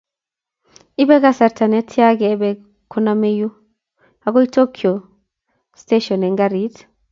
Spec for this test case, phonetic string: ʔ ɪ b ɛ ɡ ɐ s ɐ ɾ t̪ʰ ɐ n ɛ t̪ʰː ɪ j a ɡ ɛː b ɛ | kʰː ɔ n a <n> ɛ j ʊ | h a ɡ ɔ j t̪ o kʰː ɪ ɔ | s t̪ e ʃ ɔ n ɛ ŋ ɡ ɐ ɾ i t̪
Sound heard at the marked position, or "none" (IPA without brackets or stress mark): m